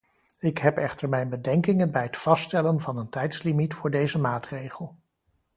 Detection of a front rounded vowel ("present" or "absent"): absent